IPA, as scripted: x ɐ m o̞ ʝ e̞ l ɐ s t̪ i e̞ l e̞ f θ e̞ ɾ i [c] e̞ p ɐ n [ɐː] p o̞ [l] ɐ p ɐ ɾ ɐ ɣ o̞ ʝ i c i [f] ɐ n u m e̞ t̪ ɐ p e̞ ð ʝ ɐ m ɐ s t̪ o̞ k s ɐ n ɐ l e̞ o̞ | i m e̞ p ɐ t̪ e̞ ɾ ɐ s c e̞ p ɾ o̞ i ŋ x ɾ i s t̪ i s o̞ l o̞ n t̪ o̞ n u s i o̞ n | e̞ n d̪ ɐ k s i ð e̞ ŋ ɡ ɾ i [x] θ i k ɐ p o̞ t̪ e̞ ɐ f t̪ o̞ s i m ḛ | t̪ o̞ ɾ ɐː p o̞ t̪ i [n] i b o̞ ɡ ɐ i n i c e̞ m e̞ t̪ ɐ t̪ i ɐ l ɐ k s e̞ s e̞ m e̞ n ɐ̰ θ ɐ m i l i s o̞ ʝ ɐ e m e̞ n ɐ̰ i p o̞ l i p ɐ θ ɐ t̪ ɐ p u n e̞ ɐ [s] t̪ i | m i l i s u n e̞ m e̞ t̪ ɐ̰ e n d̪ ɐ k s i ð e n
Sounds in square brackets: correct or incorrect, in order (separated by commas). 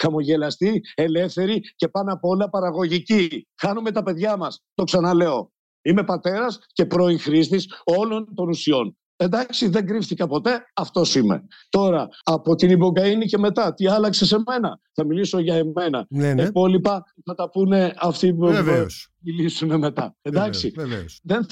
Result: correct, incorrect, correct, incorrect, incorrect, correct, incorrect